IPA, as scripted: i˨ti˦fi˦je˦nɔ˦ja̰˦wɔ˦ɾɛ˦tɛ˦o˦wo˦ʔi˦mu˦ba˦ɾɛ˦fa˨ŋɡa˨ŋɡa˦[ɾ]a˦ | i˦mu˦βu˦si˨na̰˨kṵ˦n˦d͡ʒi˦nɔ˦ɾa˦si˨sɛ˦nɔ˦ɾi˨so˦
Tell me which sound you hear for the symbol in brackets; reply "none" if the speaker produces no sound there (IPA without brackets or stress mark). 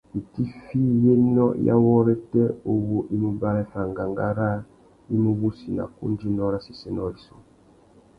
ɾ